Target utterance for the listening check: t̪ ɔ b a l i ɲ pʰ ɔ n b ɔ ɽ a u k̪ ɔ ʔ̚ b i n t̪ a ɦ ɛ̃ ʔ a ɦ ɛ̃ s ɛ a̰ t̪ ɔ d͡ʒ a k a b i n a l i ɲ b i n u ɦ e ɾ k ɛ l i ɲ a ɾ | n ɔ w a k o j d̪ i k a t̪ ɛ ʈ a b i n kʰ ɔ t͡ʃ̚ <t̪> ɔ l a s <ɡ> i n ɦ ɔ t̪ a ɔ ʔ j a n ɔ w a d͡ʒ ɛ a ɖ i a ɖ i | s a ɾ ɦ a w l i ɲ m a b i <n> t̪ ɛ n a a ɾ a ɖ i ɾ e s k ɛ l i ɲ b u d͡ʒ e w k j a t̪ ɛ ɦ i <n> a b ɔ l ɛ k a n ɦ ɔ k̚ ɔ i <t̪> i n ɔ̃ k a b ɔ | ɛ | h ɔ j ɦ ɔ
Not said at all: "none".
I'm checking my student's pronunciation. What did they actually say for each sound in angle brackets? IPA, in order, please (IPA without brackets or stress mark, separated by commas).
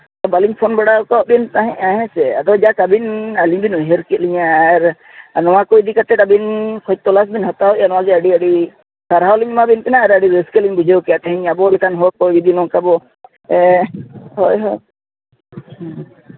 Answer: t̪, b, n, ɲ, d̪